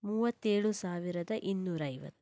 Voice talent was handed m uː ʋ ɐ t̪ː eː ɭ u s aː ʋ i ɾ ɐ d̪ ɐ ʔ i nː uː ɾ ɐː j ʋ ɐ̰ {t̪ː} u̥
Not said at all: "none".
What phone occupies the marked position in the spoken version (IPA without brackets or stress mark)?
t̪ː